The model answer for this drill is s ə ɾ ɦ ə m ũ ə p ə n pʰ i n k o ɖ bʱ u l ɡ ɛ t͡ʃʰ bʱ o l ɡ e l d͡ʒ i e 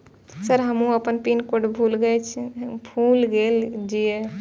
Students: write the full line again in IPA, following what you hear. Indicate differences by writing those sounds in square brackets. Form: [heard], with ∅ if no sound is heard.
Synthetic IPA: s ə ɾ ɦ ə m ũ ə p ə n [p] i n k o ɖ bʱ u l ɡ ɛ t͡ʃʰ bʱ [u] l ɡ e l d͡ʒ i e